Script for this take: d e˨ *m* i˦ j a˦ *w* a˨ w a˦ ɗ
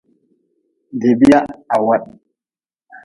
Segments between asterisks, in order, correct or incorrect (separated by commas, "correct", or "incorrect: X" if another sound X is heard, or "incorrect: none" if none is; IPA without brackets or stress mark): incorrect: b, incorrect: none